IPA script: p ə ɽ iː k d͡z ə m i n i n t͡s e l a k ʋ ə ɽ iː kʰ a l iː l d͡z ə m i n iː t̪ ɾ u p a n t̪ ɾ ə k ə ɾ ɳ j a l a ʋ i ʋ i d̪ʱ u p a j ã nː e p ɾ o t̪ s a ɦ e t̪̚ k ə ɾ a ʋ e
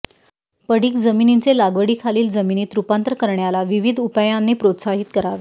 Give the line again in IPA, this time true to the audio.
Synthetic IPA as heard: p ə ɽ iː k d͡z ə m i n i n t͡s e l a ɡ ʋ ə ɽ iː kʰ a l iː l d͡z ə m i n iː t̪ ɾ u p a n t̪ ɾ ə k ə ɾ ɳ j a l a ʋ i ʋ i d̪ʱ u p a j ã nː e p ɾ o t̪ s a ɦ i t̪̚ k ə ɾ a ʋ e